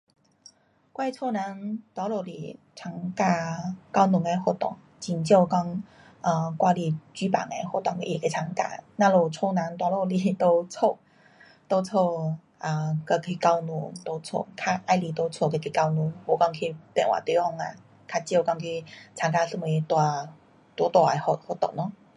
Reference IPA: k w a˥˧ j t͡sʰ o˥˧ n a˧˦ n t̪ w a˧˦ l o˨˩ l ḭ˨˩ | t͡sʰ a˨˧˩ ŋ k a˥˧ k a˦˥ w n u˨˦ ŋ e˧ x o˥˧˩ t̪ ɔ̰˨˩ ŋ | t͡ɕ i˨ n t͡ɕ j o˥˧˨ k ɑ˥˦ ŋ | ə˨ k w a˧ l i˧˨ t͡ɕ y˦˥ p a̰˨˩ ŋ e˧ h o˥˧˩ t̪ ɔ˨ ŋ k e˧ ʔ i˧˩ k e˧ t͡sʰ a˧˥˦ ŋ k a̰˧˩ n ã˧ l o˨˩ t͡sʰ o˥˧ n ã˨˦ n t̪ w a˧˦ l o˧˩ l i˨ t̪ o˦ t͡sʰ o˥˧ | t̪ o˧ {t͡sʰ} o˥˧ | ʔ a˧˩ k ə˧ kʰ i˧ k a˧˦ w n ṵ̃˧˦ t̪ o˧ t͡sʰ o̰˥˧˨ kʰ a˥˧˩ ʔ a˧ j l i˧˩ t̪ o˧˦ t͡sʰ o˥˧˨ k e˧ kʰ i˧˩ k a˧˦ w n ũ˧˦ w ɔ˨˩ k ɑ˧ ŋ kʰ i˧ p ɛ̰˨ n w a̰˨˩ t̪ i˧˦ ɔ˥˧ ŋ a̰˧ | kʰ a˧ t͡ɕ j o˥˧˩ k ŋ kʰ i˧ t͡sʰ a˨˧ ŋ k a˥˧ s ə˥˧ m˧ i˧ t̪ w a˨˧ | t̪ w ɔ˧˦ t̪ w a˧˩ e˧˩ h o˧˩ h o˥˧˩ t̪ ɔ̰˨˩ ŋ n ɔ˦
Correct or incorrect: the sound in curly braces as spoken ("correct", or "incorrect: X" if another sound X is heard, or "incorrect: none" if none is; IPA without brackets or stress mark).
correct